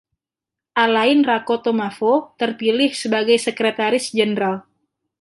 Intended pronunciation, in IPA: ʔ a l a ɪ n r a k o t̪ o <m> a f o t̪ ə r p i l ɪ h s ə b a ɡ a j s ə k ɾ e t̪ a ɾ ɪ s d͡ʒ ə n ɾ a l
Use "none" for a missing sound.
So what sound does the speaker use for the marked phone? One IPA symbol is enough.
m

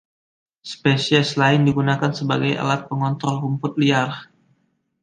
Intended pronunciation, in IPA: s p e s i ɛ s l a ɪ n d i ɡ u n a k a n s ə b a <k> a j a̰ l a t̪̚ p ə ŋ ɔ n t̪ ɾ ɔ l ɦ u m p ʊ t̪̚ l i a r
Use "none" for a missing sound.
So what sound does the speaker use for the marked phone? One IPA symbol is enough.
ɡ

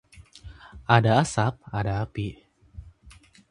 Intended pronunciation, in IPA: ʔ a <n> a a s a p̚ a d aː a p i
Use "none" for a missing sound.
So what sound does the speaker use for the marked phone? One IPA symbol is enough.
d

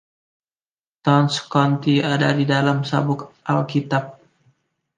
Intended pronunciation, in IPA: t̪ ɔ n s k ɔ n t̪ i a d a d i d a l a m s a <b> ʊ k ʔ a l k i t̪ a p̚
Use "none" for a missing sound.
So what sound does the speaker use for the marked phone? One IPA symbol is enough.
b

